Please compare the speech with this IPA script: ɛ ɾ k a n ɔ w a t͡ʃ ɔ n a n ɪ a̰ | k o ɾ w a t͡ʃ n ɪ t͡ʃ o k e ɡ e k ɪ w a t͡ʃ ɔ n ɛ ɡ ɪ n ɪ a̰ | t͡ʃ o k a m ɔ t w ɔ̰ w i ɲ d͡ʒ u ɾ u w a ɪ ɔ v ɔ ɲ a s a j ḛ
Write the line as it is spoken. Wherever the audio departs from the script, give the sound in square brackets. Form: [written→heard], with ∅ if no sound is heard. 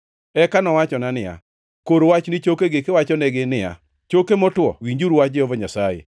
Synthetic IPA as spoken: ɛ [ɾ→∅] k a n ɔ w a t͡ʃ ɔ n a n ɪ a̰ | k o ɾ w a t͡ʃ n ɪ t͡ʃ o k e ɡ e k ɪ w a t͡ʃ ɔ n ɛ ɡ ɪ n ɪ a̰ | t͡ʃ o k [a→e] m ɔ t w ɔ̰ w i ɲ d͡ʒ u ɾ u w a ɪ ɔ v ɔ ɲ a s a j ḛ